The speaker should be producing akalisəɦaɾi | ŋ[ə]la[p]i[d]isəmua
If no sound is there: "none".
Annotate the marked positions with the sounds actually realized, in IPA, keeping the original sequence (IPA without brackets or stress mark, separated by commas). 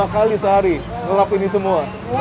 ə, p, n